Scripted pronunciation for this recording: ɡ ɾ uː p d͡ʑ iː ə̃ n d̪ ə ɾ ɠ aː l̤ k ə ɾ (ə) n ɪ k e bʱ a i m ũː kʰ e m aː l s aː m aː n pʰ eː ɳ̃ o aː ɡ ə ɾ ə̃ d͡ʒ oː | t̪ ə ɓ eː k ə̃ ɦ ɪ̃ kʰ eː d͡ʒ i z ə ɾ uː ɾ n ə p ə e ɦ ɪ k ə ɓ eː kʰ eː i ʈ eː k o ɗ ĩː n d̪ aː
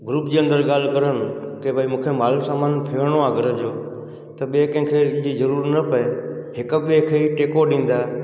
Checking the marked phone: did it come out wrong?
no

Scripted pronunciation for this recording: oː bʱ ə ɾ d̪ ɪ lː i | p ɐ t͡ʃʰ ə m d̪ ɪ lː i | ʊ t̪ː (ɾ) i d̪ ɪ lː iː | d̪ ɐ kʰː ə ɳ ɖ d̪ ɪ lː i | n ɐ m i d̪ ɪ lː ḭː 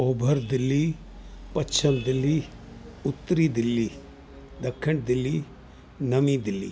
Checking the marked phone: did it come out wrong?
no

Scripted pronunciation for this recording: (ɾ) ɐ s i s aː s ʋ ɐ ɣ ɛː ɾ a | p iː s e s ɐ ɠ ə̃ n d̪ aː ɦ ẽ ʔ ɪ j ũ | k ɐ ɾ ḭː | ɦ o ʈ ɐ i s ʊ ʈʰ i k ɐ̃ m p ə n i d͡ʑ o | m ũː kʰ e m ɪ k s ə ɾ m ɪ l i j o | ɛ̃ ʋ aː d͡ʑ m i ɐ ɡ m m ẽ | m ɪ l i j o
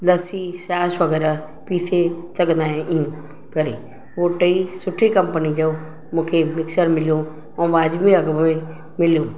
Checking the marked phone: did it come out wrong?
yes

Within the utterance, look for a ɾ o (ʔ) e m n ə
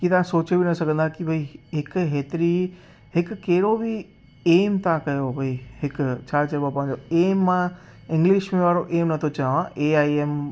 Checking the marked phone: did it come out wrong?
no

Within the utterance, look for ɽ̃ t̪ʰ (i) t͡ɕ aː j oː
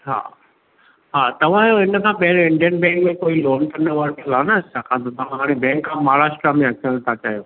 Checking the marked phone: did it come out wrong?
yes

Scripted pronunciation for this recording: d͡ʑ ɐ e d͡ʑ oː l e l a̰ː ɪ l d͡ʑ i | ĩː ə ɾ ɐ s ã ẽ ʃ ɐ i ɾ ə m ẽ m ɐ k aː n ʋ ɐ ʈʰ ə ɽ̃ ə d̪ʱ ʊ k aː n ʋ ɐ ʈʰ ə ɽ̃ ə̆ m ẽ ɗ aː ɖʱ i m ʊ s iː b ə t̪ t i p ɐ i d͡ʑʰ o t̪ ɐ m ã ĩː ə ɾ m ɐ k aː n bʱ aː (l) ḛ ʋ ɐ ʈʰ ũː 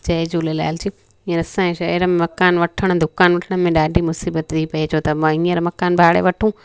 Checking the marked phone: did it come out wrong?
yes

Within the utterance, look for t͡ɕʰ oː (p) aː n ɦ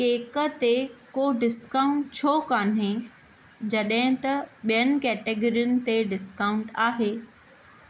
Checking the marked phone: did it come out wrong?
yes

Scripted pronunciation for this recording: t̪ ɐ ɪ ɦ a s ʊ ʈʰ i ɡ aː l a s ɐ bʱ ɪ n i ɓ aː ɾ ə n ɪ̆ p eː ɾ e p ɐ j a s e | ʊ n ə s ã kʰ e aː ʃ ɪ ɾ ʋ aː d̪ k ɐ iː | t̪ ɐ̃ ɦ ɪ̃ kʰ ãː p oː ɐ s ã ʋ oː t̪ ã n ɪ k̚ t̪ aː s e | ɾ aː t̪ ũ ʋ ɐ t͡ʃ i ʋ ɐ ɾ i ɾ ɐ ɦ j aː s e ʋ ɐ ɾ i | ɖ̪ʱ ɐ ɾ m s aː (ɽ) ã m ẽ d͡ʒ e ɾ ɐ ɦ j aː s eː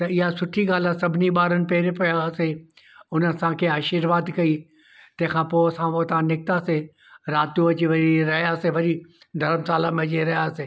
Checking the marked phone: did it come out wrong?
yes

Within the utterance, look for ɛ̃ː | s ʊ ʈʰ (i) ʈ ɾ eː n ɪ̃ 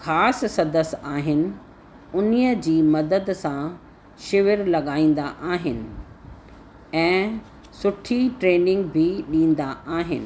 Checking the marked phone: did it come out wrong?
no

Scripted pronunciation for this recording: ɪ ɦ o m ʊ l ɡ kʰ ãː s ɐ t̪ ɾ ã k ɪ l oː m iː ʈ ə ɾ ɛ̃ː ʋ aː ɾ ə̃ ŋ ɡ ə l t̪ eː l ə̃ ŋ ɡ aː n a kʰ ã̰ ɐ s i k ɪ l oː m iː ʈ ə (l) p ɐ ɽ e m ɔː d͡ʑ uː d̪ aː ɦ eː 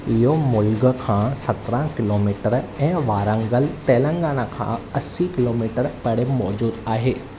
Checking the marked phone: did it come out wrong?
yes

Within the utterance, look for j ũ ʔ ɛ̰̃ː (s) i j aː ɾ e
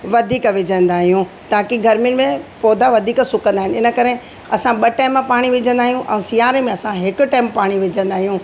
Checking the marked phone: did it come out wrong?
no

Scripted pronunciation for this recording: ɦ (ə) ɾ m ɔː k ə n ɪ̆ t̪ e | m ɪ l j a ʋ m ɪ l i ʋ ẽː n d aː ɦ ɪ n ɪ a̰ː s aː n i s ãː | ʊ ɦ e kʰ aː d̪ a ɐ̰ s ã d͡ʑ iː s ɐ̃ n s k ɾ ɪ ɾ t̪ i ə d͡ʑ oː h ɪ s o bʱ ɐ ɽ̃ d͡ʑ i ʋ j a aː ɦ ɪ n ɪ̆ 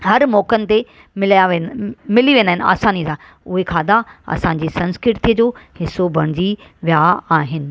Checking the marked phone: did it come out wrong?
yes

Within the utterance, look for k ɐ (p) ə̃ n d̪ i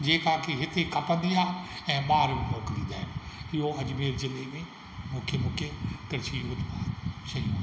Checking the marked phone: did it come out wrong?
no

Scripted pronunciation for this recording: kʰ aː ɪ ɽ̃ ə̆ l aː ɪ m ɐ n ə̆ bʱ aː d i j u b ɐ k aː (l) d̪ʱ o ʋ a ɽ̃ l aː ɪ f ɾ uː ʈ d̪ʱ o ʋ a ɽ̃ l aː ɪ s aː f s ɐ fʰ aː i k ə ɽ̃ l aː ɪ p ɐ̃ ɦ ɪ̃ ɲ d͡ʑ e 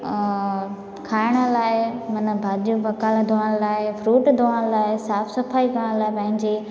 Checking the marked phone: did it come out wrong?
no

